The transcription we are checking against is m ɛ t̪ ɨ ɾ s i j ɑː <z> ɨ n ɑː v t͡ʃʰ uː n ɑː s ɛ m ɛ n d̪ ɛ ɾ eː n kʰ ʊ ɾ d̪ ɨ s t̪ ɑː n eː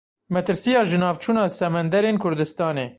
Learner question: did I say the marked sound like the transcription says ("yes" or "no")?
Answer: no